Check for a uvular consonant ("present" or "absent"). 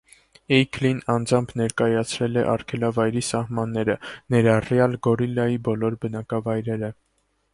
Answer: absent